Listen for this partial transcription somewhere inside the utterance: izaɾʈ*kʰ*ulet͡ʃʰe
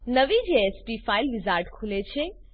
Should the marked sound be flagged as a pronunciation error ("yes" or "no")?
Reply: no